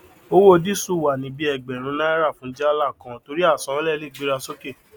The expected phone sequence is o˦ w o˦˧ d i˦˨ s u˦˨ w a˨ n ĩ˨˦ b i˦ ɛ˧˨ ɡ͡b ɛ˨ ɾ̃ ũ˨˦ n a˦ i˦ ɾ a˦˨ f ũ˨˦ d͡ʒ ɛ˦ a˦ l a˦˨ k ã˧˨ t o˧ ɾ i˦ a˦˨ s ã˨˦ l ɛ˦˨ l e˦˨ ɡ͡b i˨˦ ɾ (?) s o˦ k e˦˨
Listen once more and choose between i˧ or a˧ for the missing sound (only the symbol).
a˧